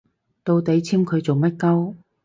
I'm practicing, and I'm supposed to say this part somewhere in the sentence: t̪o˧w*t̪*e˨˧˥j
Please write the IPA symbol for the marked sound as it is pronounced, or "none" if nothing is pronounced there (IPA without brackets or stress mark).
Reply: t̪